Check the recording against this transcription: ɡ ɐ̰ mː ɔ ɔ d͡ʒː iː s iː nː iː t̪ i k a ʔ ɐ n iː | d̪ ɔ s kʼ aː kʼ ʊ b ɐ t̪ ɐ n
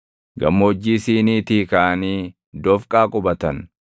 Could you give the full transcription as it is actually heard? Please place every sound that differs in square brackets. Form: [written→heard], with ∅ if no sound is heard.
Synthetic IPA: ɡ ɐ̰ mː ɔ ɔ d͡ʒː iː s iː [nː→n] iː t̪ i k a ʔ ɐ n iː | d̪ ɔ [s→f] kʼ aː kʼ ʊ b ɐ t̪ ɐ n

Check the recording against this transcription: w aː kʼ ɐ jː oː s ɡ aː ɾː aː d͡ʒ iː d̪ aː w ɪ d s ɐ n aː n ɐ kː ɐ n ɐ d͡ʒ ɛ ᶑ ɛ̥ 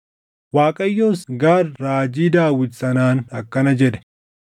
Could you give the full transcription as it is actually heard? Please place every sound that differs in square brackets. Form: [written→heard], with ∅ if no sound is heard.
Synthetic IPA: w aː kʼ ɐ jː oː s ɡ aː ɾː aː d͡ʒ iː d̪ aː w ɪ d s ɐ n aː n ɐ kː ɐ n ɐ d͡ʒ ɛ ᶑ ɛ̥

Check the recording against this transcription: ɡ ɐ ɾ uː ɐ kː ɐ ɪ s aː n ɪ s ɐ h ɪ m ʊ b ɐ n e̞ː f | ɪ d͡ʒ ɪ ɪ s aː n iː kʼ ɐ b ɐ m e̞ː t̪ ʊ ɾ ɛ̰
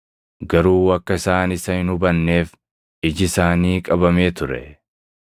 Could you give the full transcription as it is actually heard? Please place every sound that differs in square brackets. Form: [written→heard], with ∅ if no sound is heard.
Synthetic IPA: ɡ ɐ ɾ uː ɐ kː ɐ ɪ s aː n ɪ s ɐ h ɪ [m→n] ʊ b ɐ [n→nː] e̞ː f | ɪ d͡ʒ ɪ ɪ s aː n iː kʼ ɐ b ɐ m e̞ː t̪ ʊ ɾ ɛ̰

